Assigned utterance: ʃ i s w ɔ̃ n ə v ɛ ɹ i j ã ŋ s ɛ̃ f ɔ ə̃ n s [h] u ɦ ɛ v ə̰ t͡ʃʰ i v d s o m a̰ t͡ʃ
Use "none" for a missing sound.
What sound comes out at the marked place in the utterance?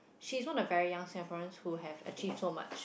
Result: h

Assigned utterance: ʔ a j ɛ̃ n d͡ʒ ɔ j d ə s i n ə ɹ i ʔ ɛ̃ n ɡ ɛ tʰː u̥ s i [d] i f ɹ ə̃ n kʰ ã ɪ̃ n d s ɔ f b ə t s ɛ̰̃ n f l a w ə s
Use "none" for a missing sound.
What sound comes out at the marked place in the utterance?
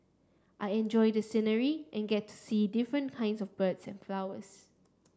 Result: d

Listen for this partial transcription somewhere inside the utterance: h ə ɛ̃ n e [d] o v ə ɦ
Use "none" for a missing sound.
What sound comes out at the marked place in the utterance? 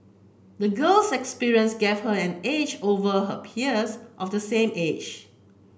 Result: d͡ʒ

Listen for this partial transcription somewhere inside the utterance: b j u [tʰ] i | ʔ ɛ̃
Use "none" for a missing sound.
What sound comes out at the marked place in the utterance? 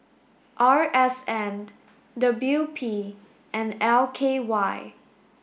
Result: pʰ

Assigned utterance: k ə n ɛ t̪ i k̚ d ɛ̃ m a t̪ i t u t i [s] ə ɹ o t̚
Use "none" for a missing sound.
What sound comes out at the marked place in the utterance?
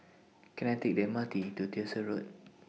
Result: s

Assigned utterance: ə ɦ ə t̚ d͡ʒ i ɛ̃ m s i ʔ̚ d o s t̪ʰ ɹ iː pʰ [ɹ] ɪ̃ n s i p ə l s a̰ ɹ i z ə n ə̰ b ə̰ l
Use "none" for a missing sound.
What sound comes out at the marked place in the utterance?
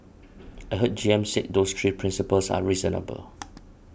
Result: ɹ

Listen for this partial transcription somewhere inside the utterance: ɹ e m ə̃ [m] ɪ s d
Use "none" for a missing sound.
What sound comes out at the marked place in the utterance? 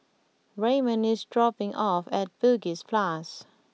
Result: n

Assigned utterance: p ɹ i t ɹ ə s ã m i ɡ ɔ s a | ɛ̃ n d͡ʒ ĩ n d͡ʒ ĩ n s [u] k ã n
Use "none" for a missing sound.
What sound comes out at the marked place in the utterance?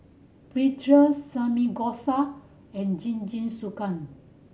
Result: u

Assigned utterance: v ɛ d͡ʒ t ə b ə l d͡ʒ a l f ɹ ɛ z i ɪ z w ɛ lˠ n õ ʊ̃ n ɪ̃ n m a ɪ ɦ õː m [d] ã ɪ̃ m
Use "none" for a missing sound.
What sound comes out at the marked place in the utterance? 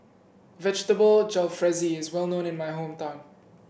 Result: t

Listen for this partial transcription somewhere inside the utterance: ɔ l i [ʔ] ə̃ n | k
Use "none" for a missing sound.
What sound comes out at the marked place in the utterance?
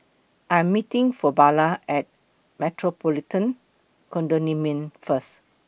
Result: t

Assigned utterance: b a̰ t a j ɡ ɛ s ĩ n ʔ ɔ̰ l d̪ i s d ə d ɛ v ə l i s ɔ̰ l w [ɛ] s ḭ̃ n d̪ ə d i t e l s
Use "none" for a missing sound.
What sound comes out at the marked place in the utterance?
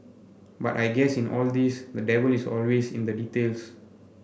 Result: e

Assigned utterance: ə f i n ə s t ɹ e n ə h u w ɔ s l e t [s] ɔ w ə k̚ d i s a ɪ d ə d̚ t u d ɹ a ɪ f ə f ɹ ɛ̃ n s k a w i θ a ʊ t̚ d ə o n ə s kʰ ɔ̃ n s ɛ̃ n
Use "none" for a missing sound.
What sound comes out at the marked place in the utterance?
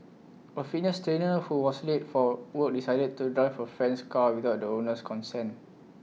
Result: f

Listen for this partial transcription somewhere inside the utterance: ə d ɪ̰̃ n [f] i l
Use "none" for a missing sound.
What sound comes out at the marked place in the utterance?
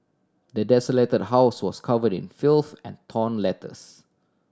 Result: f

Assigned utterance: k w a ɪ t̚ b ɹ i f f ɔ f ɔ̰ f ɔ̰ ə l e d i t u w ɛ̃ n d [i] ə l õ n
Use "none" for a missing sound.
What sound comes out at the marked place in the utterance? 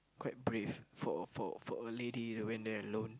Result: ɛ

